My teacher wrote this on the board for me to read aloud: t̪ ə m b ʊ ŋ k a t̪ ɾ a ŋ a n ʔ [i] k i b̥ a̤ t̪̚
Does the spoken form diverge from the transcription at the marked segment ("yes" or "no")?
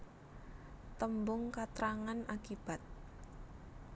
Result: yes